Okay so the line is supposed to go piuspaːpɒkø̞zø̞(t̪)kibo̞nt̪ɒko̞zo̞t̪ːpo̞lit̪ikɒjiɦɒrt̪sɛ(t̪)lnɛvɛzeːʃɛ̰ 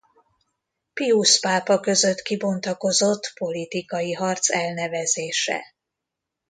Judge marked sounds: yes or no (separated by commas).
yes, no